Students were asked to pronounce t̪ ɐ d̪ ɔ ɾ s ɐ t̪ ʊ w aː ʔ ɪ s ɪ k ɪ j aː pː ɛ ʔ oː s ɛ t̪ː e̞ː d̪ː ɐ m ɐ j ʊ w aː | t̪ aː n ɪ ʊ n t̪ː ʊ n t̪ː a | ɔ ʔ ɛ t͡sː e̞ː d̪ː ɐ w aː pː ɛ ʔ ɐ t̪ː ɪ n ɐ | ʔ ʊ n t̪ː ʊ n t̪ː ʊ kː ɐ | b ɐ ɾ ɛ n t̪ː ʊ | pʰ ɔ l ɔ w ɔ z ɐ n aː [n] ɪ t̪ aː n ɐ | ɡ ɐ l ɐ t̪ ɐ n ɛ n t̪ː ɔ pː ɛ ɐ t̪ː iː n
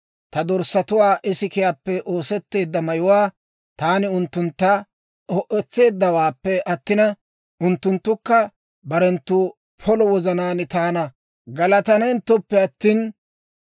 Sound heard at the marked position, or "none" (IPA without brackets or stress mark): n